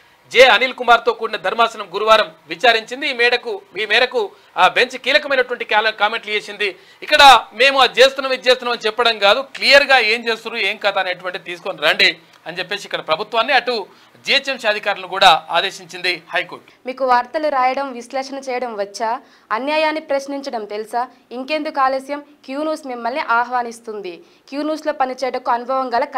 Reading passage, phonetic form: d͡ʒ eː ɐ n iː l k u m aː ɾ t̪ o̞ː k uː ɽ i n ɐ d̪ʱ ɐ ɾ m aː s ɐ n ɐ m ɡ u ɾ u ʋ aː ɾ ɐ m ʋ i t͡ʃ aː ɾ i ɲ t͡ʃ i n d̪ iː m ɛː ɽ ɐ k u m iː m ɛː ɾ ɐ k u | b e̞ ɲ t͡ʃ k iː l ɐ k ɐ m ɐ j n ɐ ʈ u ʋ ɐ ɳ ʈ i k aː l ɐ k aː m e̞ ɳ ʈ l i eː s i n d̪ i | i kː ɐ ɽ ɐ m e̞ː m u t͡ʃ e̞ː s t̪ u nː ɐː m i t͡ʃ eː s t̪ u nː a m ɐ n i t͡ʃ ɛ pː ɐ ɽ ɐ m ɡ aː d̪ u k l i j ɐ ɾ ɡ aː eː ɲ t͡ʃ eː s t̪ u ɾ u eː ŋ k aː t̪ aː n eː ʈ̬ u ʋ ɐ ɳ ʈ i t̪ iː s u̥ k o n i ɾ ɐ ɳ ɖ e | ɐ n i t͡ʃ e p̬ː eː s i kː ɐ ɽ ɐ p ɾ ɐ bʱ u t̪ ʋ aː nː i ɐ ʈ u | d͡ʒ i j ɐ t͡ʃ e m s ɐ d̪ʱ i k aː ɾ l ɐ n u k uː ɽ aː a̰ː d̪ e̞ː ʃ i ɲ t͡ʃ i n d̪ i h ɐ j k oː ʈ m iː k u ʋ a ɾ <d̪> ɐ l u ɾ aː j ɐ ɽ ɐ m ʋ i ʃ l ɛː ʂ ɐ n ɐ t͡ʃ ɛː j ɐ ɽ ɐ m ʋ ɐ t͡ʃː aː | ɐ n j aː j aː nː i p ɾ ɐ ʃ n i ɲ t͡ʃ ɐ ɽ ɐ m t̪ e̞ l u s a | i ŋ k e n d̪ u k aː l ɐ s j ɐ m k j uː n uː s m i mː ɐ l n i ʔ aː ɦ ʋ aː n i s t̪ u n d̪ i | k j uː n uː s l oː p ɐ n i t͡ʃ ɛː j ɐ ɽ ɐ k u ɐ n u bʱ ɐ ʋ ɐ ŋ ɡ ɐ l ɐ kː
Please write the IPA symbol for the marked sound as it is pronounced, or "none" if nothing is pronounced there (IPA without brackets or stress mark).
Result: t̪